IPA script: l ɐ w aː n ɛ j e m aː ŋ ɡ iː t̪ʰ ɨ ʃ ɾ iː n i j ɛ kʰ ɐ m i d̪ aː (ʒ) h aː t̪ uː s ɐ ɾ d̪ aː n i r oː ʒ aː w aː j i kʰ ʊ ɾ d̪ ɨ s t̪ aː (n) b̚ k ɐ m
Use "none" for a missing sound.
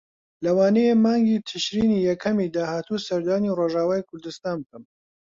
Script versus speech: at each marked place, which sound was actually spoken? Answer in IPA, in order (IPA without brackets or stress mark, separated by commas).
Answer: none, n